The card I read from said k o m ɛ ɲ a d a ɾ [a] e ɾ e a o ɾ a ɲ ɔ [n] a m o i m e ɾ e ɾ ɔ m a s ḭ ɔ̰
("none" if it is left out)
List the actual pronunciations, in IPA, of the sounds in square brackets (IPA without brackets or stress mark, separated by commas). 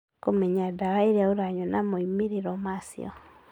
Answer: a, n